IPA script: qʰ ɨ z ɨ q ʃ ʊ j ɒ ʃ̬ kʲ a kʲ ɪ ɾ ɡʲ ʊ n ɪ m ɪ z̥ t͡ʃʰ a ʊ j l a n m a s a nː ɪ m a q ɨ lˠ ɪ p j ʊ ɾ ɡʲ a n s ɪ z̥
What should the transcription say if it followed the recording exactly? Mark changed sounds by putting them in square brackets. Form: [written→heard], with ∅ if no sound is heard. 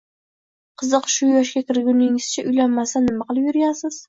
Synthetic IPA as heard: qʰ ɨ z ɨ q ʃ ʊ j ɒ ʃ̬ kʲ a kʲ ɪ ɾ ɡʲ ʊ n ɪ [m→ŋ] ɪ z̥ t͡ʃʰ a ʊ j l a n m a s a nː ɪ m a q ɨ lˠ ɪ p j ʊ ɾ ɡʲ a n s ɪ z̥